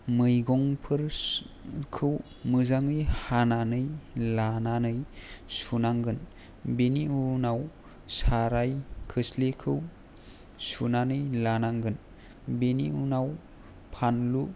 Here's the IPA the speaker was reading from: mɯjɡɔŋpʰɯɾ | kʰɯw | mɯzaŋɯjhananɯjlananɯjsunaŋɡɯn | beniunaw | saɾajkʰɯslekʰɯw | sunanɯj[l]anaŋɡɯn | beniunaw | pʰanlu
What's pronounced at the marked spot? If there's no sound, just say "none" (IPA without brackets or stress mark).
l